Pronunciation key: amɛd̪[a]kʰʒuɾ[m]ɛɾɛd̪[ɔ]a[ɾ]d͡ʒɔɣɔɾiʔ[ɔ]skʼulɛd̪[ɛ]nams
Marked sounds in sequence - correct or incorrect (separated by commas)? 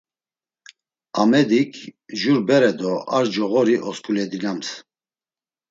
incorrect, incorrect, correct, correct, correct, incorrect